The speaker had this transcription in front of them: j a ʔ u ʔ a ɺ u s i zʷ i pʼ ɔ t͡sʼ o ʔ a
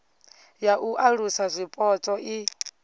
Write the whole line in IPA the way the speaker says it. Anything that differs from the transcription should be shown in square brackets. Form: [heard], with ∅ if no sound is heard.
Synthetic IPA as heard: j a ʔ u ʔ a ɺ u s [a] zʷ i pʼ ɔ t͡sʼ [ɔ] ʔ [i]